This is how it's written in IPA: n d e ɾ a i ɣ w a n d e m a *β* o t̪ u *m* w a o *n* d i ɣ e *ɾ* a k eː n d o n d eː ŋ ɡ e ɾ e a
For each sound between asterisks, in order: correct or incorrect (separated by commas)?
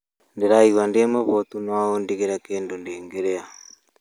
correct, incorrect, correct, correct